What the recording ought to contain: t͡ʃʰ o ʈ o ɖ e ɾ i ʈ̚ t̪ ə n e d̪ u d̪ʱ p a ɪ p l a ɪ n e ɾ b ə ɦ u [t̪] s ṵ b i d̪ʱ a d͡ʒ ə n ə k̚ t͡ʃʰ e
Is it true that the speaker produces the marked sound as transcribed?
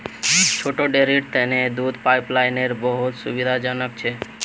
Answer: yes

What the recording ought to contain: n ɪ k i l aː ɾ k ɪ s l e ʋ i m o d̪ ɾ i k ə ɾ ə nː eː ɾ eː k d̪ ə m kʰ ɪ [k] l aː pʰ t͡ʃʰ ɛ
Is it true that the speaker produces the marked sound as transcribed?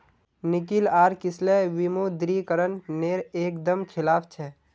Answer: no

